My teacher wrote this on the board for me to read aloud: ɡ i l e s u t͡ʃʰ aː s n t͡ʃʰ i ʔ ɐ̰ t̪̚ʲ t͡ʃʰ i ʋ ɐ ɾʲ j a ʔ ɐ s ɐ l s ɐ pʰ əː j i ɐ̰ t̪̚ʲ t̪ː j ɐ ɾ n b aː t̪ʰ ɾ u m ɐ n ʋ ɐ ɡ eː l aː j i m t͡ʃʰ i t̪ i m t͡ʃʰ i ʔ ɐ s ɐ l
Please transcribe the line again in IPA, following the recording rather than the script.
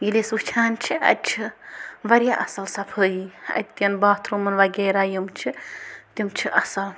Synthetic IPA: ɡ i l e s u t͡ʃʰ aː n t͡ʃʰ i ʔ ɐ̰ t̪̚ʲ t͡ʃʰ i ʋ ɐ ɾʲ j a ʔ ɐ s ɐ l s ɐ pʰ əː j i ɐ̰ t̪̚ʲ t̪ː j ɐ n b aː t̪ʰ ɾ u m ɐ n ʋ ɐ ɡ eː ɾ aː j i m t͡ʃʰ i t̪ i m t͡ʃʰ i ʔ ɐ s ɐ l